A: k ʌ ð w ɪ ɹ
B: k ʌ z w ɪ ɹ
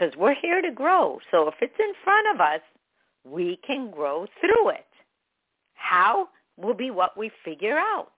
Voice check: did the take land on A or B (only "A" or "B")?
B